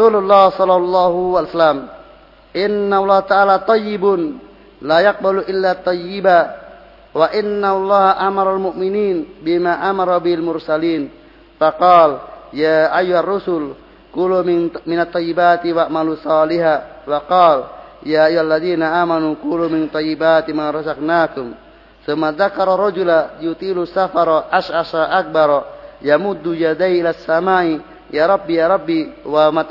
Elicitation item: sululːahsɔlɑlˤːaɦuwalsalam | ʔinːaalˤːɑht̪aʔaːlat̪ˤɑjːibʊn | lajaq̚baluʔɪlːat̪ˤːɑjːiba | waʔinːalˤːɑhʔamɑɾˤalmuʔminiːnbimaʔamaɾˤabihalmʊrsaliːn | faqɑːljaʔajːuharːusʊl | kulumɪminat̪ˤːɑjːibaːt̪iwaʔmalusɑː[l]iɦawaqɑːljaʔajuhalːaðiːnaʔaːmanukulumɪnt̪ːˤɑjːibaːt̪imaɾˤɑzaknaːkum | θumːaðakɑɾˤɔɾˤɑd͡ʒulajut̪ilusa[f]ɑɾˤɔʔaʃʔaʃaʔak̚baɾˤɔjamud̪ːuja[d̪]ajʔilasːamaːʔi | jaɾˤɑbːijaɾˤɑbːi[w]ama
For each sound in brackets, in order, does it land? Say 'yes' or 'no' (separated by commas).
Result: yes, yes, yes, yes